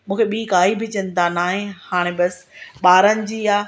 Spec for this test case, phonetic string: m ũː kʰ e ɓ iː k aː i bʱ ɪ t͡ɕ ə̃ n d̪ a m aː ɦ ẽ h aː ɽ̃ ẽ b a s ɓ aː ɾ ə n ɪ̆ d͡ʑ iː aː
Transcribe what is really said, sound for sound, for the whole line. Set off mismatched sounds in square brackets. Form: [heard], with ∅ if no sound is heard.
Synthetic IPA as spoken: m ũː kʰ e ɓ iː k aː i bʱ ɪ t͡ɕ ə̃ n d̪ a [n] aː ɦ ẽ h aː ɽ̃ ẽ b [ɐ] s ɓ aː ɾ ə n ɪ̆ d͡ʑ iː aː